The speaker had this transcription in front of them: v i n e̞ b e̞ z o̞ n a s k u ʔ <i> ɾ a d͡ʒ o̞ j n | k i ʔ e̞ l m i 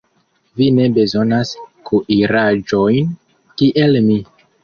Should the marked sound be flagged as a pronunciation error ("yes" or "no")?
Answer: no